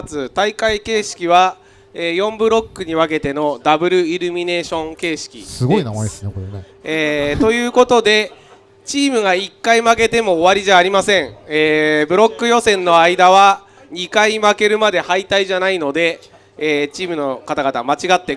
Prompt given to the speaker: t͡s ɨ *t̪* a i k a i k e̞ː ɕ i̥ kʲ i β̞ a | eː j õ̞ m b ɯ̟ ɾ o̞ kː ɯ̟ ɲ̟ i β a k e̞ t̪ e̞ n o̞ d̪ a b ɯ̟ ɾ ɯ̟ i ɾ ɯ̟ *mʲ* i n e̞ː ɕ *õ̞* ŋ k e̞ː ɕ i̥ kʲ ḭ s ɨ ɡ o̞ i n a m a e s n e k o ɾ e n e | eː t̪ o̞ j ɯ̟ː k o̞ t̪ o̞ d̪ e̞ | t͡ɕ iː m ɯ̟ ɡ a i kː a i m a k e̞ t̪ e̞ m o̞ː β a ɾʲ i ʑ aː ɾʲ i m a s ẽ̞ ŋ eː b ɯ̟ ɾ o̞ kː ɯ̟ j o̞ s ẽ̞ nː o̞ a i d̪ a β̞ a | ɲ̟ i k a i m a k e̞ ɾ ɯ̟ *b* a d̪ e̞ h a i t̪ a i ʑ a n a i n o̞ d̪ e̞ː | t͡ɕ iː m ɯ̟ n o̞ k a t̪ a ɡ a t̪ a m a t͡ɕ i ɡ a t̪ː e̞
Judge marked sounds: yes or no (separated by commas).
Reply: yes, yes, yes, no